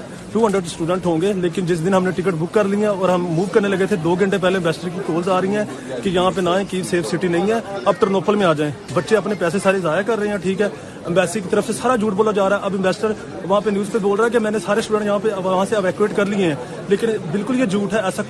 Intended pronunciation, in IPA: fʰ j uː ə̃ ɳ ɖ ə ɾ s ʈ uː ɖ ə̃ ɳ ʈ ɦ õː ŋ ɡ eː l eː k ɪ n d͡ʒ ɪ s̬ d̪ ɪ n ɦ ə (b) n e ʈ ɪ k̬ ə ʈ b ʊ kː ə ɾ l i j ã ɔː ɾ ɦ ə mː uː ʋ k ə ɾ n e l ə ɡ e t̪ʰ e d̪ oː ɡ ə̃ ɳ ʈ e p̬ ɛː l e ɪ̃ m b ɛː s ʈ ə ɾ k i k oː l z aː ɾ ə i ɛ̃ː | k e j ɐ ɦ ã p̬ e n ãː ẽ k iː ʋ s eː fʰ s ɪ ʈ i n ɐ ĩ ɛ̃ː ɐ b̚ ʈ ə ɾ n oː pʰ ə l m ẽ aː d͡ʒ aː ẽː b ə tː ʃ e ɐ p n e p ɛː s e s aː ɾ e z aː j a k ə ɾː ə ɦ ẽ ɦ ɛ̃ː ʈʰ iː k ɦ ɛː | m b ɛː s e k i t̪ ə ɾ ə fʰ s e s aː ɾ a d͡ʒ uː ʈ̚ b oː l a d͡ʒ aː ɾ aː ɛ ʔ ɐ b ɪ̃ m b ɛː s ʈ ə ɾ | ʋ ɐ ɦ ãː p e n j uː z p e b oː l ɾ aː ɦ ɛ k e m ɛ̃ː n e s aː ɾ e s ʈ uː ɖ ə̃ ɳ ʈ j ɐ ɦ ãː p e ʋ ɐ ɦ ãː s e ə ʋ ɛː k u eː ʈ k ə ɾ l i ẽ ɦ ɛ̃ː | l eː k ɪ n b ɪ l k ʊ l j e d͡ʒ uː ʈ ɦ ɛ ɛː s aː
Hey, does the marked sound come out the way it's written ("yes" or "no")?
no